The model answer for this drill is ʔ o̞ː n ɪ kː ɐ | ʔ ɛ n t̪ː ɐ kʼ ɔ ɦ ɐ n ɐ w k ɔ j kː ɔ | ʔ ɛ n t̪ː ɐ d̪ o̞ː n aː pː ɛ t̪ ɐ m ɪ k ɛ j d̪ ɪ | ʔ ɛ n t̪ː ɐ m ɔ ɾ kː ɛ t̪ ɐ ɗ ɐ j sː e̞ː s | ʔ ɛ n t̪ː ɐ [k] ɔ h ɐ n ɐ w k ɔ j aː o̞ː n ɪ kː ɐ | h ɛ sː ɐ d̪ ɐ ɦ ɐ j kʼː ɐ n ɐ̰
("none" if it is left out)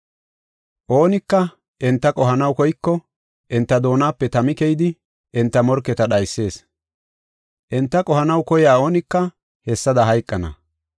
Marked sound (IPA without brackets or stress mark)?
kʼ